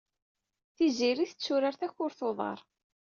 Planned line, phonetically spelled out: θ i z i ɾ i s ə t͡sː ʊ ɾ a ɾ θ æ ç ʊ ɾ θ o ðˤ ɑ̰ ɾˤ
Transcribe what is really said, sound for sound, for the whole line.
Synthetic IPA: θ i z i ɾ i θ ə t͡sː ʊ ɾ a ɾ θ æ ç ʊ ɾ θ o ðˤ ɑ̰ ɾˤ